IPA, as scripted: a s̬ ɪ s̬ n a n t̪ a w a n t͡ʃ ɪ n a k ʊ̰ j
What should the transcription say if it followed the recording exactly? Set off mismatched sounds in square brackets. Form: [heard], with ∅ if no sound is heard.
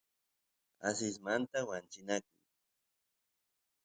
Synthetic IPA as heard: a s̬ ɪ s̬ [m] a n t̪ a w a n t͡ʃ ɪ n a k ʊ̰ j

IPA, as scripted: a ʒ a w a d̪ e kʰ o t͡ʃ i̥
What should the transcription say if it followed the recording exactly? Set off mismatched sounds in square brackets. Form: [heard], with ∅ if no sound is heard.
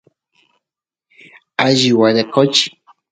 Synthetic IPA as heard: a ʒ [i] w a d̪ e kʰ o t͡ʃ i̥

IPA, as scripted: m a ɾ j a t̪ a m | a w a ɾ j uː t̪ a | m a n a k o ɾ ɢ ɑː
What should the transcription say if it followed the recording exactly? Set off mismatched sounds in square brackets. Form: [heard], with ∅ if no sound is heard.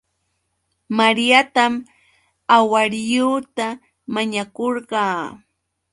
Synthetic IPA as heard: m a ɾ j a t̪ a m | a w a ɾ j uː t̪ a | m a [ɲ] a k o ɾ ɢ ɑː

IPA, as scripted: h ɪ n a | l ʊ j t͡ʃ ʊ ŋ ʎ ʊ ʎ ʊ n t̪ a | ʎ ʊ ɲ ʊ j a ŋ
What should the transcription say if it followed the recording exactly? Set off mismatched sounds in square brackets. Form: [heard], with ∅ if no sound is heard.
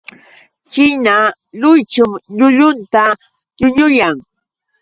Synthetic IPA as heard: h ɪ n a | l ʊ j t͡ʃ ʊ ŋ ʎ ʊ ʎ ʊ n t̪ a | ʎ ʊ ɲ ʊ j a ŋ

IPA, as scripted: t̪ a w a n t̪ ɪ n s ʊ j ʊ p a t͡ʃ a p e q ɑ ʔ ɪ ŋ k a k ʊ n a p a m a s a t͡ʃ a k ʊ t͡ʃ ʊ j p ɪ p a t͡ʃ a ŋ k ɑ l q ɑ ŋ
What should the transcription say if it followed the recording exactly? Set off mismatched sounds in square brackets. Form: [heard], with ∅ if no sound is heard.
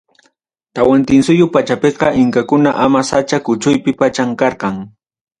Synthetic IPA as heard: t̪ a w a n t̪ ɪ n s ʊ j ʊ p a t͡ʃ a p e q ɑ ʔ ɪ ŋ k a k ʊ n a [ʔ] a m a s a t͡ʃ a k ʊ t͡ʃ ʊ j p ɪ p a t͡ʃ a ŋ k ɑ [ɾ] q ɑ ŋ

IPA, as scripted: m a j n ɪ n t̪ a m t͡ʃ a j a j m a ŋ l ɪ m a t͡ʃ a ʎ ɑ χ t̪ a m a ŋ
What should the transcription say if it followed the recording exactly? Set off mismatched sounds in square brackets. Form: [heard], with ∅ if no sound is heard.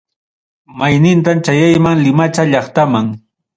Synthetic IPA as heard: m a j n ɪ n t̪ a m t͡ʃ a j a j m a ŋ l ɪ m a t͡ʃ a ʎ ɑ χ t̪ a m a ŋ

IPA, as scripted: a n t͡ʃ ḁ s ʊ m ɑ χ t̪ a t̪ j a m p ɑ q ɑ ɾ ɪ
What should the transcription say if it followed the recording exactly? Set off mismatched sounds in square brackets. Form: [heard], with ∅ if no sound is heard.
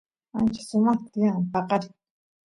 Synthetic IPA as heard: a n t͡ʃ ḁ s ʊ m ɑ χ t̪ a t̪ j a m p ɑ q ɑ ɾ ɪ

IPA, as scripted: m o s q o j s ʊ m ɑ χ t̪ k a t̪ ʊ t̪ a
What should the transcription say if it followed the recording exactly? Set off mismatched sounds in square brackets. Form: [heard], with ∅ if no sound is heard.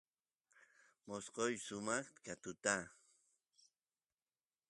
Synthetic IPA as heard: m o s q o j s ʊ m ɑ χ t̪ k a t̪ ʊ t̪ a

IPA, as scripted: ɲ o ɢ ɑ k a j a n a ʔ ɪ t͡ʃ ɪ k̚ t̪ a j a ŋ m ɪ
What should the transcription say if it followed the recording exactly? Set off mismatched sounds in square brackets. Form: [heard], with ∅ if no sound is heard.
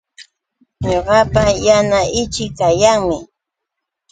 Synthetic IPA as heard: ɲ o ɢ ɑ [p] a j a n a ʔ ɪ t͡ʃ ɪ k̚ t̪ a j a ŋ m ɪ

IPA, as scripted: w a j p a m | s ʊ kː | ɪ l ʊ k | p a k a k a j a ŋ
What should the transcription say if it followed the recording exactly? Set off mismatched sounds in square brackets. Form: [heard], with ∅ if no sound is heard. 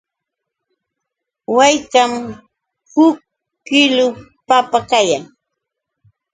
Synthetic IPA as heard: w a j [k] a m | [h] ʊ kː | ɪ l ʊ [∅] | p a [p] a k a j a ŋ

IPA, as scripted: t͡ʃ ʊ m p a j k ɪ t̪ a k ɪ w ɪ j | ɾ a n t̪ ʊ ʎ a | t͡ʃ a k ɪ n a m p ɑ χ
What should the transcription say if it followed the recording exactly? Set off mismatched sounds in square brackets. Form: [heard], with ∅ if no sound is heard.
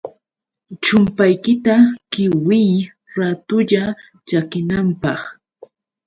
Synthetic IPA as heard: t͡ʃ ʊ m p a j k ɪ t̪ a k ɪ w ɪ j | ɾ a [∅] t̪ ʊ ʎ a | t͡ʃ a k ɪ n a m p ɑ χ

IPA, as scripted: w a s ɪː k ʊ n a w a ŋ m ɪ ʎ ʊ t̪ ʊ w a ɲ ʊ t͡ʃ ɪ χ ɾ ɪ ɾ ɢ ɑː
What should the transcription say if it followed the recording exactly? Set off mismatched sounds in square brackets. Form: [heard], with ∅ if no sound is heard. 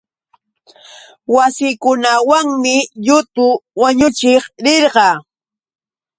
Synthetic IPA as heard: w a s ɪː k ʊ n a w a ŋ m ɪ ʎ ʊ t̪ ʊ w a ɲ ʊ t͡ʃ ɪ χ ɾ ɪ ɾ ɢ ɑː

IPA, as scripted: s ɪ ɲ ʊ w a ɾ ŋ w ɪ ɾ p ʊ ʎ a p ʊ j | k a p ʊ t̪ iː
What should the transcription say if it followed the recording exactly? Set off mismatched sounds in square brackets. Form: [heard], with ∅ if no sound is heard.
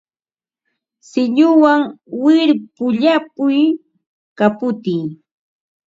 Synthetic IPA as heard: s ɪ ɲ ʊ w a [∅] ŋ w ɪ ɾ p ʊ ʎ a p ʊ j | k a p ʊ t̪ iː

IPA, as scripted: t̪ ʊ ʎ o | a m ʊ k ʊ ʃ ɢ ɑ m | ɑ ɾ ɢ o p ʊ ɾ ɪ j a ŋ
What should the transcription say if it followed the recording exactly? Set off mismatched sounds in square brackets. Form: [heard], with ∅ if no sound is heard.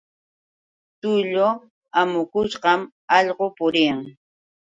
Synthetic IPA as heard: t̪ ʊ ʎ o | a m ʊ k ʊ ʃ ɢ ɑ m | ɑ [ʎ] ɢ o p ʊ ɾ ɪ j a ŋ

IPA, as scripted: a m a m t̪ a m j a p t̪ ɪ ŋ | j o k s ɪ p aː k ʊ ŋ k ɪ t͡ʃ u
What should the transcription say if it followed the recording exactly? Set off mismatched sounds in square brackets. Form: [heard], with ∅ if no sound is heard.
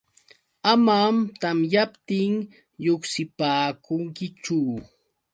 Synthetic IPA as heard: a m a m t̪ a m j a p t̪ ɪ ŋ | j o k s ɪ p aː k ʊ ŋ k ɪ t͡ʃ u

